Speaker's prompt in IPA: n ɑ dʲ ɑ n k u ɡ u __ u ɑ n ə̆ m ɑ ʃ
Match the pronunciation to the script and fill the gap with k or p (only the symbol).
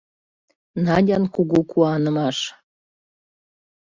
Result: k